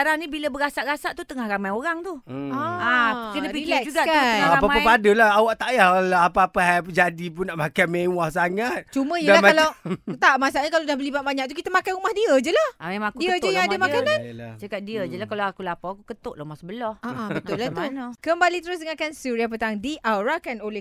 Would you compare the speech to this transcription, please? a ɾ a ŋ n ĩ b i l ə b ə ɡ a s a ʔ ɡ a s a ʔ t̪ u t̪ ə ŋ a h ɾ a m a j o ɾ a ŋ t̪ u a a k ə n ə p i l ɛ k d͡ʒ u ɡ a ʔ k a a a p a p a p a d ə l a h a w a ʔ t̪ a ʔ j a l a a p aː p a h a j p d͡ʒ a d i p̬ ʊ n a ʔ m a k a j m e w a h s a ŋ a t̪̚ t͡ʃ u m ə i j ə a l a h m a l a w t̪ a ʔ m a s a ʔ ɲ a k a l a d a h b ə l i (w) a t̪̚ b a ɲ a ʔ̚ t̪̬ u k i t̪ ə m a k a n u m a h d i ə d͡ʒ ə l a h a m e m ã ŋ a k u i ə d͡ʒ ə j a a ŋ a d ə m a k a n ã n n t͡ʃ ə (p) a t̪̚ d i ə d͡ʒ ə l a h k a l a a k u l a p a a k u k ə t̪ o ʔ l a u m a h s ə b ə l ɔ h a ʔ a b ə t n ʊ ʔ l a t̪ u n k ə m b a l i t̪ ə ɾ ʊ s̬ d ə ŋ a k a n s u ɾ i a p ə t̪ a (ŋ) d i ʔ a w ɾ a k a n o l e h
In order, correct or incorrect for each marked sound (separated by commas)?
incorrect, incorrect, correct